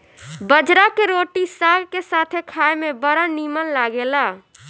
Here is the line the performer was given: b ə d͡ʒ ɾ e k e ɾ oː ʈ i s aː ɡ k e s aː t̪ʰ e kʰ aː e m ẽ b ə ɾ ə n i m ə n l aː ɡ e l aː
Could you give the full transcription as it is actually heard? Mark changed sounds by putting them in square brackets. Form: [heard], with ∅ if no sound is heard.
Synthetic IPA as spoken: b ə d͡ʒ ɾ [a] k e ɾ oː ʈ i s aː ɡ k e s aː t̪ʰ e kʰ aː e m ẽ b ə ɾ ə n i m ə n l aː ɡ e l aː

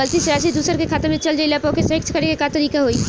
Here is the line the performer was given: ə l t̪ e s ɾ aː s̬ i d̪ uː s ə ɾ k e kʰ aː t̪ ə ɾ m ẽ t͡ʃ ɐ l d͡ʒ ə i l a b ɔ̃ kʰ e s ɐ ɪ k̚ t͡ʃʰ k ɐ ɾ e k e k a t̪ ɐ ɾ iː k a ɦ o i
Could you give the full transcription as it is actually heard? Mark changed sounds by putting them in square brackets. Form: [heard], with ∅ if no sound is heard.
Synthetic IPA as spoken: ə l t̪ [i] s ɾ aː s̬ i d̪ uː s ə ɾ k e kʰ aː t̪ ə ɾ m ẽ t͡ʃ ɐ l d͡ʒ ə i l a [p] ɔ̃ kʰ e s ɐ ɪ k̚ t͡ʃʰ k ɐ ɾ e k e k a t̪ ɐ ɾ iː k a ɦ o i

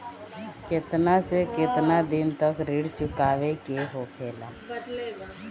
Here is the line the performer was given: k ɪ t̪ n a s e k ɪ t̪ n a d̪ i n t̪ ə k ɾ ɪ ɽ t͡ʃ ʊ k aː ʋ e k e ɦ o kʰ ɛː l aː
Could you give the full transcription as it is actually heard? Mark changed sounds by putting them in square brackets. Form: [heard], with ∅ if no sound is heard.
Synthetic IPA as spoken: k ɪ t̪ n a s e k ɪ t̪ n a d̪ [ɪ] n t̪ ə k ɾ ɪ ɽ t͡ʃ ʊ k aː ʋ e k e ɦ o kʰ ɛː l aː

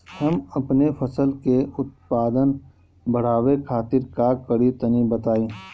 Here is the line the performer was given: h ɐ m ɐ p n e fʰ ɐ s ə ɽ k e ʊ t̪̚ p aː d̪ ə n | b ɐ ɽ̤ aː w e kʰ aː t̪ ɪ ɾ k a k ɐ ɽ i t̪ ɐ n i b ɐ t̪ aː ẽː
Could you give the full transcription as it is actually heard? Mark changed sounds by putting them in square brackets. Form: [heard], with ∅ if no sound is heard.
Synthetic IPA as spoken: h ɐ m ɐ p n e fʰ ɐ s ə [l] k e ʊ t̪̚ p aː d̪ ə n | b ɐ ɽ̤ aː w e kʰ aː t̪ ɪ ɾ k a k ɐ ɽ i t̪ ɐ n i b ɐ t̪ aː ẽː

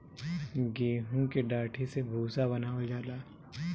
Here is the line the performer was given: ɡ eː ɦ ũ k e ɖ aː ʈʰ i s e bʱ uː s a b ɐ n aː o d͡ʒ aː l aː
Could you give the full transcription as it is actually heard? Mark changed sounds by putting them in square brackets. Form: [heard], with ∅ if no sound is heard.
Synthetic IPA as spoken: ɡ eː ɦ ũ k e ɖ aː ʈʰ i s e bʱ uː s a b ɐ n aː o d͡ʒ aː l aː

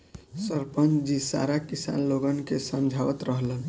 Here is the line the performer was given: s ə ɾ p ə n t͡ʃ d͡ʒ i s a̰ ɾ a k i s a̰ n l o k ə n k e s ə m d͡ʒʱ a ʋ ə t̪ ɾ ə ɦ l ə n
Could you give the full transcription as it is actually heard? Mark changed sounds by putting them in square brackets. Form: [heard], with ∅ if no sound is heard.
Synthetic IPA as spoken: s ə ɾ p ə n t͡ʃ d͡ʒ i s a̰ ɾ a k i s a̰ n l o [ɡ] ə n k e s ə m d͡ʒʱ a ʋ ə t̪ ɾ ə ɦ l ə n

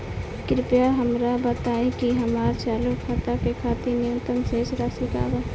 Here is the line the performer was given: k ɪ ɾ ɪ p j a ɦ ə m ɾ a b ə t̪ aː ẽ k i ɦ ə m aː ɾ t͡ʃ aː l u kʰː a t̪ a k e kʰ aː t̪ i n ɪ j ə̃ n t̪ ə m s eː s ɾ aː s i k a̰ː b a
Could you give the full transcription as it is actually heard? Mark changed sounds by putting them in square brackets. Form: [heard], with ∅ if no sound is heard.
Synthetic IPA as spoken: k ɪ ɾ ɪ p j a ɦ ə m ɾ a b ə t̪ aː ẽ k i ɦ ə m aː ɾ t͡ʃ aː l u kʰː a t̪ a k e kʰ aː t̪ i n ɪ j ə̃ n t̪ ə m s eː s ɾ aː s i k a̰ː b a

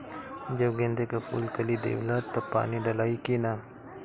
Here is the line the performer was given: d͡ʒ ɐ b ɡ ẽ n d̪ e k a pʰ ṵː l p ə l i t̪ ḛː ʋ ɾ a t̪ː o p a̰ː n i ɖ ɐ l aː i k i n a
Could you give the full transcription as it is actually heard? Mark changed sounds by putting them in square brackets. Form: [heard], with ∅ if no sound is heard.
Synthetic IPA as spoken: d͡ʒ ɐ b ɡ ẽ n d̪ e k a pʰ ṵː l [k] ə l i [d̪] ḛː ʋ [l] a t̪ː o p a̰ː n i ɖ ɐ l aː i k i n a

